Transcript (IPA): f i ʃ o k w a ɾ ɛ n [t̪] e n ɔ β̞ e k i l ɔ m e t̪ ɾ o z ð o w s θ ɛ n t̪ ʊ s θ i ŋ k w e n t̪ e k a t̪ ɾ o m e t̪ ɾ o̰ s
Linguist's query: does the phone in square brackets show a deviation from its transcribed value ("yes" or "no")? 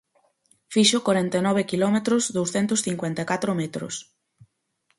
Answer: no